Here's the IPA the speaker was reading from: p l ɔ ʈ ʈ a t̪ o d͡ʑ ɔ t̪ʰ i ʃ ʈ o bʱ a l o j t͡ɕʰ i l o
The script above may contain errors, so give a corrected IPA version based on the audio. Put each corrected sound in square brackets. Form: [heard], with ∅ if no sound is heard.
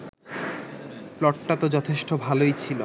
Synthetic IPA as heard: p l ɔ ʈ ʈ a t̪ o d͡ʑ ɔ t̪ʰ [e] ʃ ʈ o bʱ a l o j t͡ɕʰ i l o